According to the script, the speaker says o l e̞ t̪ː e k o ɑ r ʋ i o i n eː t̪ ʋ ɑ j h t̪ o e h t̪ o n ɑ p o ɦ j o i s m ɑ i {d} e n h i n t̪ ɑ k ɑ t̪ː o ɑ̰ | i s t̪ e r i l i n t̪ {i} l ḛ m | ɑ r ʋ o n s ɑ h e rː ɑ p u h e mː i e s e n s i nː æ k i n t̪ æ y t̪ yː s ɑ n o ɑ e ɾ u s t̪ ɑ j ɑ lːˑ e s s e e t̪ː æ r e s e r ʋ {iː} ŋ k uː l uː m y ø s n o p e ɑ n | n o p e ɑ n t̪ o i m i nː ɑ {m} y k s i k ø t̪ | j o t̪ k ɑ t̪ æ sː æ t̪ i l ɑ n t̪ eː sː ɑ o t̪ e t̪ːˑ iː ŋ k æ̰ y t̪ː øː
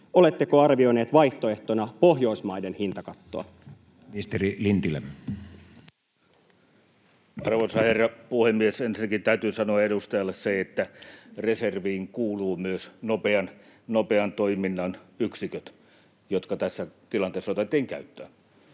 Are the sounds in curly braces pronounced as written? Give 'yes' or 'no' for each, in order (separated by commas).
yes, yes, yes, no